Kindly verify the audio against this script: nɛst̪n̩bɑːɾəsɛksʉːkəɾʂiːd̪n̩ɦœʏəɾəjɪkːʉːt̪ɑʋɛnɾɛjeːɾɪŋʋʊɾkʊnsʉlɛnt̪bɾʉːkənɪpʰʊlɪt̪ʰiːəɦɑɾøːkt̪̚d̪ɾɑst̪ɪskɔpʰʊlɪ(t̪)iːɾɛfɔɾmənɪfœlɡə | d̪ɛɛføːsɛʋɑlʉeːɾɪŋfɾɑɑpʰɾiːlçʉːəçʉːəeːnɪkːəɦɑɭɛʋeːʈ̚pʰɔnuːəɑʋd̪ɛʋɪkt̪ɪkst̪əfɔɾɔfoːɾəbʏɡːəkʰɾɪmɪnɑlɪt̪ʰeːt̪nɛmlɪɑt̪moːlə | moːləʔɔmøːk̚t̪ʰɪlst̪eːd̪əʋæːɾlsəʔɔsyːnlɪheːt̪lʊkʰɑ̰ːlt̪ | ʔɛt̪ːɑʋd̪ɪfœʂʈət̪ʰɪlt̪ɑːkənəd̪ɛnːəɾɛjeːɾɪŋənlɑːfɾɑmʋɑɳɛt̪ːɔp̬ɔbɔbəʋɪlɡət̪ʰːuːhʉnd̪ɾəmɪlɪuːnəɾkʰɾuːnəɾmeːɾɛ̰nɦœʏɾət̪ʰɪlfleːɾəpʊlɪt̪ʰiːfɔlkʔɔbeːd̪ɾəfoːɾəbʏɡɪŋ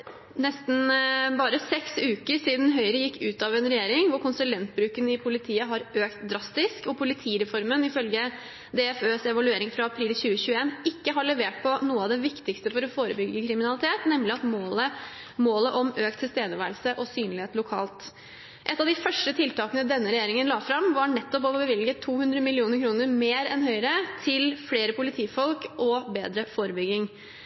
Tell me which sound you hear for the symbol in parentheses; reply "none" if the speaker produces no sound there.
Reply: t̪ʰ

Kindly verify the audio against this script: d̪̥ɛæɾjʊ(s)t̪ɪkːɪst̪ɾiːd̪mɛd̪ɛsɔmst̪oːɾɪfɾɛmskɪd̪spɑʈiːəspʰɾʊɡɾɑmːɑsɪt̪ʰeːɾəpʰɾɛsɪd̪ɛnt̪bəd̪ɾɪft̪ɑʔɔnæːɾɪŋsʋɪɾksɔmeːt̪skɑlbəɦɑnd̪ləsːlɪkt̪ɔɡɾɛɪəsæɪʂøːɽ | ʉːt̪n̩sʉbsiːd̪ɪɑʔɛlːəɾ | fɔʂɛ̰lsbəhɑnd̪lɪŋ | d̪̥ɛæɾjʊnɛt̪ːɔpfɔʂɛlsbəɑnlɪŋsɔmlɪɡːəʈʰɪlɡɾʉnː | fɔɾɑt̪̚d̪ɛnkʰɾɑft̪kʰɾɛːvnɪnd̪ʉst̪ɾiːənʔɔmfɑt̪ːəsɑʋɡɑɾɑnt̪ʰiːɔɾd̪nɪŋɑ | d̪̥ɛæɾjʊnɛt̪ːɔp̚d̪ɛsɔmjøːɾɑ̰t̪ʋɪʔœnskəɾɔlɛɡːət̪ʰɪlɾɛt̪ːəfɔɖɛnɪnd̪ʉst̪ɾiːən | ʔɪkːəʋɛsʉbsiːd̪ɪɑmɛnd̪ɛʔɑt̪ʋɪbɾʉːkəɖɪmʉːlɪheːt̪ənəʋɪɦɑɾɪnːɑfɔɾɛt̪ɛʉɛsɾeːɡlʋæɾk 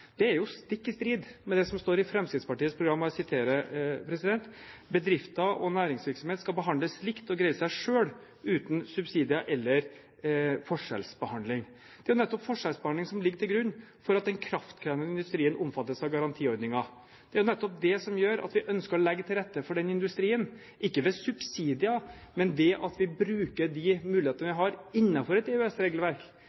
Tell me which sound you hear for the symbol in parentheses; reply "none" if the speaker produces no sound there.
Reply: s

